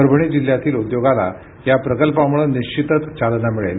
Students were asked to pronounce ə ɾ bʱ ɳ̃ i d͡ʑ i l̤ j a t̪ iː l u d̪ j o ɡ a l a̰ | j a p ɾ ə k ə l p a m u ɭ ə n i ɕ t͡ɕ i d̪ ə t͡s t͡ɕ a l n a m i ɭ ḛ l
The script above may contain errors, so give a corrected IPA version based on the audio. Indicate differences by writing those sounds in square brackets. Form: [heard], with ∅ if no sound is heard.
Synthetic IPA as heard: ə ɾ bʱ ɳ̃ i d͡ʑ i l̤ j a t̪ iː l u d̪ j o ɡ a l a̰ | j a p ɾ ə k ə l p a m u ɭ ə n i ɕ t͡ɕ i [t̪] ə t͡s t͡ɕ a l n a m i ɭ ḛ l